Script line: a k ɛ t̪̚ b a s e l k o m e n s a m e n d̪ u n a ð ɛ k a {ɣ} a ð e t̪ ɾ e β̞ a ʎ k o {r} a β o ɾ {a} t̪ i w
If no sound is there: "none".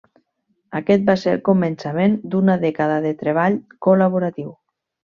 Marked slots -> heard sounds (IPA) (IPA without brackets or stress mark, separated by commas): ð, l, a